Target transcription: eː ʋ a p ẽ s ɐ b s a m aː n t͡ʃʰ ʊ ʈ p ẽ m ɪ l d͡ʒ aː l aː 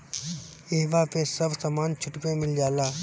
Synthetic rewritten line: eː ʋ a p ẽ s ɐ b s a m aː n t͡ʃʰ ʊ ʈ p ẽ m ɪ l d͡ʒ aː l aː